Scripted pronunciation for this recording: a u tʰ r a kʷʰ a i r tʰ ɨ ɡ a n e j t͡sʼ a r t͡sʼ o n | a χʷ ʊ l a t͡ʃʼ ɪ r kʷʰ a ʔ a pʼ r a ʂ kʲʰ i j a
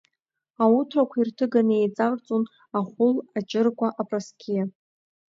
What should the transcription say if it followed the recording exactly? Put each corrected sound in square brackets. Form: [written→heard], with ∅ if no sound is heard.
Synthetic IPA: a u tʰ r a kʷʰ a i r tʰ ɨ ɡ a n e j t͡sʼ a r t͡sʼ o n | a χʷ ʊ l a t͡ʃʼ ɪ r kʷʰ a ʔ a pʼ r a [ʂ→s] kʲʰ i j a